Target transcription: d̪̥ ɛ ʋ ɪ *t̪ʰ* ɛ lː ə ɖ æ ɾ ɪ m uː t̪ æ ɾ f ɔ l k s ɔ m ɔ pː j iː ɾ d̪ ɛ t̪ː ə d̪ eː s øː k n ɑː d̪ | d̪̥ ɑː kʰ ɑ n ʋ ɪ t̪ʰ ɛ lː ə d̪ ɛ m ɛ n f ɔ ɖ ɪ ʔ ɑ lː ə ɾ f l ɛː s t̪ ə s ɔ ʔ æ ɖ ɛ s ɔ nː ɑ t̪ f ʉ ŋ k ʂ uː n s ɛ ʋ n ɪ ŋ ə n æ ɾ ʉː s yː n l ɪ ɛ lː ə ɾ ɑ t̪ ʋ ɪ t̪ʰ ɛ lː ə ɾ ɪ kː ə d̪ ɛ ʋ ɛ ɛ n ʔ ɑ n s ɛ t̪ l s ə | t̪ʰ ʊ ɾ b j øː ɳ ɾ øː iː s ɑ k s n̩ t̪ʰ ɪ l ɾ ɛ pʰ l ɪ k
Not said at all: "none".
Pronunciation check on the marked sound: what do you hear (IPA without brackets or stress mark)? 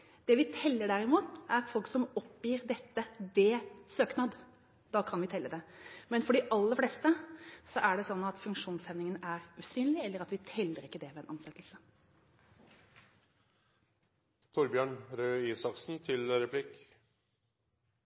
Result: t̪ʰ